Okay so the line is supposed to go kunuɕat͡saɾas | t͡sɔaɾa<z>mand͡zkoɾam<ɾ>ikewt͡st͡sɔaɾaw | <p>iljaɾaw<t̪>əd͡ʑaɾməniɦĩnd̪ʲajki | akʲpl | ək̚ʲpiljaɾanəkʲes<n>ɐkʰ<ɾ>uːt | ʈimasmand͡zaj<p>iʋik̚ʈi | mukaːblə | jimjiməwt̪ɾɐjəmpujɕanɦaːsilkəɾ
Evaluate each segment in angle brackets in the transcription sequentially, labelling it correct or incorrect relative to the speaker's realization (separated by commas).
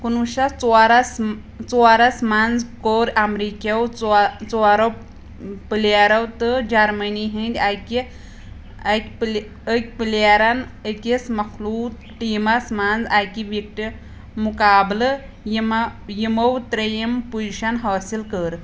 incorrect, correct, correct, correct, incorrect, incorrect, incorrect